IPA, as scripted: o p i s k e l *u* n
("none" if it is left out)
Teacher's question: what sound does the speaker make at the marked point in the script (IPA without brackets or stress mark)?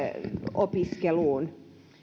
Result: uː